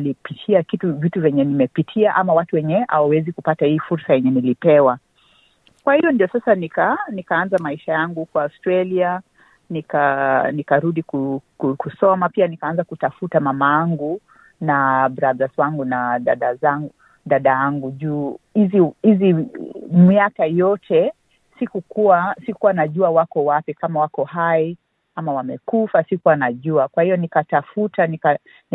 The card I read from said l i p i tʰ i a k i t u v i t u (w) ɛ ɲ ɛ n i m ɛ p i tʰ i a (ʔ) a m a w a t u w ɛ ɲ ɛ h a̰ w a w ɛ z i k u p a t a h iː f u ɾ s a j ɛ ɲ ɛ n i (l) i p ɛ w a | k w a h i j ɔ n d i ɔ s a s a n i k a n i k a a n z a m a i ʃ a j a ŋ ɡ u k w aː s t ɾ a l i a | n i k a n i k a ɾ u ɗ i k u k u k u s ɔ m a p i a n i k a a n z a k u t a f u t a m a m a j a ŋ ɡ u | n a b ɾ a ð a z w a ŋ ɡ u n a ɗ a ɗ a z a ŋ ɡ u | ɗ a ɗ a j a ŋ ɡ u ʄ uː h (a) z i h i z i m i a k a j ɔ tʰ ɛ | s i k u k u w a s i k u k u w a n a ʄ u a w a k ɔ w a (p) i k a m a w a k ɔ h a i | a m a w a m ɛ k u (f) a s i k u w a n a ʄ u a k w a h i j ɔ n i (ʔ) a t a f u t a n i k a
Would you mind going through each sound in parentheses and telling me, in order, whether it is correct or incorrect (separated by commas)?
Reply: incorrect, correct, correct, incorrect, correct, correct, incorrect